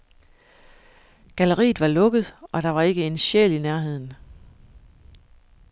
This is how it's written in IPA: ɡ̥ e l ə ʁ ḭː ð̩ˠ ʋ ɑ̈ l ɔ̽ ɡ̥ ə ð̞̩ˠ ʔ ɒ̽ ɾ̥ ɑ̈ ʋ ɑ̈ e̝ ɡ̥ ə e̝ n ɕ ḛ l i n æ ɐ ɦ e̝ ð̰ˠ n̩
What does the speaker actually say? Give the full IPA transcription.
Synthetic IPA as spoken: ɡ̥ æ l ə ʁ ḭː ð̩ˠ ʋ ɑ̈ l ɔ̽ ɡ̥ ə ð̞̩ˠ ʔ ɒ̽ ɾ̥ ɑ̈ ʋ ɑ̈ e̝ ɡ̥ ə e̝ n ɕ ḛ l i n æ ɐ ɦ e̝ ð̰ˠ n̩